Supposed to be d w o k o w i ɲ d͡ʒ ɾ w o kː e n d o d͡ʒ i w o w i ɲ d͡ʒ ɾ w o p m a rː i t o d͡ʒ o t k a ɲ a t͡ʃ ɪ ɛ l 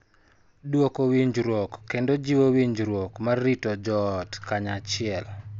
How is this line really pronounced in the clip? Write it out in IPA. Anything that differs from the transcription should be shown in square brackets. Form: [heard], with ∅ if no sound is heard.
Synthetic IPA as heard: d w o k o w i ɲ d͡ʒ ɾ w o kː e n d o d͡ʒ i w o w i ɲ d͡ʒ ɾ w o [k] m a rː i t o d͡ʒ [ɔ] t k a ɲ a t͡ʃ ɪ ɛ l